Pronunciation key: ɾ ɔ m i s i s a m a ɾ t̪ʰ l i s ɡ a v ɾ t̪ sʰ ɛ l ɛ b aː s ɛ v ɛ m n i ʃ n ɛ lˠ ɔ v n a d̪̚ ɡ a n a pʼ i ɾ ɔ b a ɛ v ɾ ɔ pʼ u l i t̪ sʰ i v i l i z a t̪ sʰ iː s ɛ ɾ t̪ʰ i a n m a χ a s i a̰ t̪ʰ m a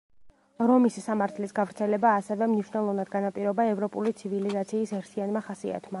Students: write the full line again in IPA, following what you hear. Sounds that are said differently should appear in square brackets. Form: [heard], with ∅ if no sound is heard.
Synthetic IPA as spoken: ɾ ɔ m i s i s a m a ɾ t̪ʰ l i s ɡ a v ɾ t̪ sʰ ɛ l ɛ b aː s ɛ v ɛ m n i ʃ n ɛ lˠ ɔ v n a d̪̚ ɡ a n a pʼ i ɾ ɔ b a ɛ v ɾ ɔ pʼ u l i t̪ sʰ i v i l i z a t̪ sʰ iː s ɛ ɾ t̪ʰ i a n m a χ a s i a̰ t̪ʰ m a

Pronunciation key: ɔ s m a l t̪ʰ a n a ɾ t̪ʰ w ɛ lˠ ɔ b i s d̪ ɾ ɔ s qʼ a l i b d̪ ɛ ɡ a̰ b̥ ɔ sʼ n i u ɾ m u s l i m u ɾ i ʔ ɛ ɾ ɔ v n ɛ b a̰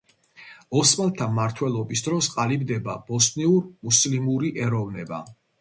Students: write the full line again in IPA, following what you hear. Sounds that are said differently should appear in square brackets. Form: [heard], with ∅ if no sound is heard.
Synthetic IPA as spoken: ɔ s m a l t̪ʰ a [m] a ɾ t̪ʰ w ɛ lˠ ɔ b i s d̪ ɾ ɔ s qʼ a l i b d̪ ɛ [b] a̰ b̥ ɔ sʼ n i u ɾ m u s l i m u ɾ i ʔ ɛ ɾ ɔ v n ɛ b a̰

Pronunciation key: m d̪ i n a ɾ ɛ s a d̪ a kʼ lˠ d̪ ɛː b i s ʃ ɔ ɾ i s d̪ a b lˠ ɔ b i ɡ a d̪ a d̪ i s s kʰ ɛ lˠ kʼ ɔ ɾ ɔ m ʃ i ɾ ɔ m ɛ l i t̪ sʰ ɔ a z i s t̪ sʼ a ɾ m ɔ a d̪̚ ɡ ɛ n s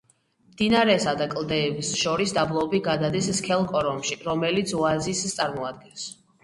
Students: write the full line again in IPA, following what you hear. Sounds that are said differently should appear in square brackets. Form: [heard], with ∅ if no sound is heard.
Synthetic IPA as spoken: m d̪ i n a ɾ ɛ s a d̪ a kʼ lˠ d̪ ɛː b i s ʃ ɔ ɾ i s d̪ a b lˠ ɔ b i ɡ a d̪ a d̪ i s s kʰ ɛ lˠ kʼ ɔ ɾ ɔ m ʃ i ɾ ɔ m ɛ l i t̪ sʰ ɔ a z i s t̪ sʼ a ɾ m ɔ a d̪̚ ɡ ɛ n s

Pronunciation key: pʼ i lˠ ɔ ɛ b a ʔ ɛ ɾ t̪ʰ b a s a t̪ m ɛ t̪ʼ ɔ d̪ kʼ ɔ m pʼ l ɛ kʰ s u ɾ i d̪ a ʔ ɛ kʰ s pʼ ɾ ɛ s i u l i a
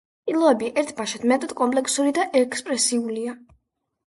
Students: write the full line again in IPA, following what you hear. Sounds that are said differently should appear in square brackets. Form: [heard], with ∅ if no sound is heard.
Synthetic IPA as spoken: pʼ i lˠ ɔ ɛ b [i] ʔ ɛ ɾ t̪ʰ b a [ʃ] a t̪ m ɛ t̪ʼ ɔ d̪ kʼ ɔ m pʼ l ɛ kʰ s u ɾ i d̪ a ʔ ɛ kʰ s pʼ ɾ ɛ s i u l i a

